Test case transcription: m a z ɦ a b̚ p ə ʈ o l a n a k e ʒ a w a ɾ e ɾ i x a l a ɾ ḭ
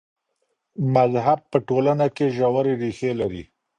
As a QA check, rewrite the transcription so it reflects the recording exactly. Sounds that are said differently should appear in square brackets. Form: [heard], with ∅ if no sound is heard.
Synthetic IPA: m a z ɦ a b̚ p ə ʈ o l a n a k e ʒ a w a ɾ e ɾ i x [e] l a ɾ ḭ